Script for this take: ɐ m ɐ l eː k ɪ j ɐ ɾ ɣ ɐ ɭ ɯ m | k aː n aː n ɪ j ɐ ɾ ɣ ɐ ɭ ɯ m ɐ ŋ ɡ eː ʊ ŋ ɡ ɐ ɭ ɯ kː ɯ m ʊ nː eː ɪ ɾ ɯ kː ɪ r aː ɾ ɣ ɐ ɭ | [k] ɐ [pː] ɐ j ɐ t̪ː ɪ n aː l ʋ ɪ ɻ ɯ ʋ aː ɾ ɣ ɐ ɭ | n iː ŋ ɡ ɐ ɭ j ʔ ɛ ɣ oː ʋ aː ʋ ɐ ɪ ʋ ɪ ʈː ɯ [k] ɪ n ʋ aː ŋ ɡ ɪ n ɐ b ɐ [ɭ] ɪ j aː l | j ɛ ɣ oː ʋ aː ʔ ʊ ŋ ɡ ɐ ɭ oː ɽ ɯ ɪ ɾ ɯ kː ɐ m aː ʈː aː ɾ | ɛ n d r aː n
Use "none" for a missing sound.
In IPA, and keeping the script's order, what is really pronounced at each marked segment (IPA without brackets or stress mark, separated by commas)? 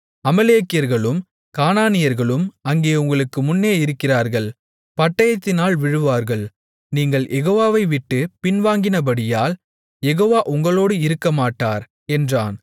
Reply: p, ʈː, p, ɽ